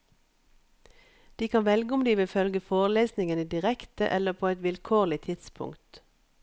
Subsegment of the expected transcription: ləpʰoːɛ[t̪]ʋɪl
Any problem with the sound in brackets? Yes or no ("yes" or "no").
no